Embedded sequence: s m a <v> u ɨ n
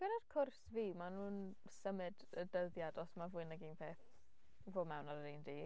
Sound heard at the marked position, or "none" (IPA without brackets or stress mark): v